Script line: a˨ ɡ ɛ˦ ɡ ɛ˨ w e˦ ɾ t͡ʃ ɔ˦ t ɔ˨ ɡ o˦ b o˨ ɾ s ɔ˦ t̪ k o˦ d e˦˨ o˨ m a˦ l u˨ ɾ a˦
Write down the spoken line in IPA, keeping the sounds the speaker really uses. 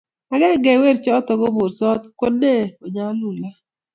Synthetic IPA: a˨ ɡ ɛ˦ ɡ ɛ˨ w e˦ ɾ t͡ʃ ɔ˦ t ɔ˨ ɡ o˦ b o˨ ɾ s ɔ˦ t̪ k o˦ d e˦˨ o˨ ɲ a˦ l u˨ l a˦